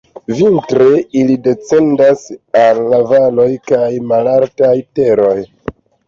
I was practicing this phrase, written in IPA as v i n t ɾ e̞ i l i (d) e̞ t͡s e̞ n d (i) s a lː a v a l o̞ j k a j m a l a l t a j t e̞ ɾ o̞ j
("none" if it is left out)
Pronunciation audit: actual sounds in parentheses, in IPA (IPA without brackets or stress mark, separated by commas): d, a